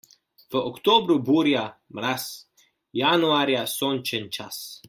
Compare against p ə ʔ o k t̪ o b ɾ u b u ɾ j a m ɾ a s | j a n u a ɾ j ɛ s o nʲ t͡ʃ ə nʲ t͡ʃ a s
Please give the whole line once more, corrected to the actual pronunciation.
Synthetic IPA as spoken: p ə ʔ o k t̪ o b ɾ u b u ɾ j a m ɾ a s | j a n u a ɾ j a s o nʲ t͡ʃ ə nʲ t͡ʃ a s